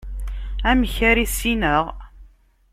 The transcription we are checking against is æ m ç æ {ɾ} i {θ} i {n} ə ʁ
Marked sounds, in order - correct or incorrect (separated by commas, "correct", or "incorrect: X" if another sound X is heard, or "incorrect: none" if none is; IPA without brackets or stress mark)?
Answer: correct, incorrect: s, correct